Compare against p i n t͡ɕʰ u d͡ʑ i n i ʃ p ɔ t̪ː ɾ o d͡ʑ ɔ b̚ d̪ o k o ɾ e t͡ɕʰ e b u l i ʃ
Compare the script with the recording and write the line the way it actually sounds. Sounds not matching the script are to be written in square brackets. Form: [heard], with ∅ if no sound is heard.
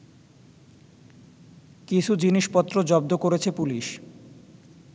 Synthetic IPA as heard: [k] i [∅] t͡ɕʰ u d͡ʑ i n i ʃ p ɔ t̪ː ɾ o d͡ʑ ɔ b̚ d̪ o k o ɾ e t͡ɕʰ e [p] u l i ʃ